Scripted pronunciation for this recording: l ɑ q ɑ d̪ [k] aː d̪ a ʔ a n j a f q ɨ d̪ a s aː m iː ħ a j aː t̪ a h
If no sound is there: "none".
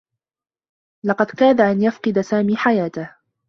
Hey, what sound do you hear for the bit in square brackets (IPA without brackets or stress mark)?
k